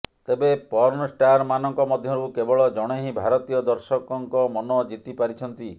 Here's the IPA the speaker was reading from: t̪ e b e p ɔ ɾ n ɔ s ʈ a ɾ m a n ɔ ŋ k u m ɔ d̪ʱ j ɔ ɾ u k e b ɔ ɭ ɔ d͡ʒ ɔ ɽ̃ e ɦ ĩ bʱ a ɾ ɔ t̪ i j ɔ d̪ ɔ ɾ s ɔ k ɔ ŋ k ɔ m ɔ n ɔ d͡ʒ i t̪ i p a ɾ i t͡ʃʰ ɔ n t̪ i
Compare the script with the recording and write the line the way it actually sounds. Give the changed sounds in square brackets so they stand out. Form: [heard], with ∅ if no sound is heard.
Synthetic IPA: t̪ e b e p ɔ ɾ n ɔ s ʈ a ɾ m a n ɔ ŋ k [ɔ] m ɔ d̪ʱ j ɔ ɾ u k e b ɔ ɭ ɔ d͡ʒ ɔ ɽ̃ e ɦ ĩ bʱ a ɾ ɔ t̪ i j ɔ d̪ ɔ ɾ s ɔ k ɔ ŋ k ɔ m ɔ n ɔ d͡ʒ i t̪ i p a ɾ i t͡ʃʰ ɔ n t̪ i